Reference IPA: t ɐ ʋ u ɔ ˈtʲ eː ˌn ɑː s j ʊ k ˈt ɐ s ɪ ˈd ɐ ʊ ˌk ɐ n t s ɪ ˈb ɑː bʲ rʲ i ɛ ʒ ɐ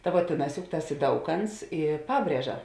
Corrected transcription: t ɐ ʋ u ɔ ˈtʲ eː ˌn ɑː s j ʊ k ˈt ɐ s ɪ ˈd ɐ ʊ ˌk ɐ n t s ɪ ˈp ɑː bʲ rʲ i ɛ ʒ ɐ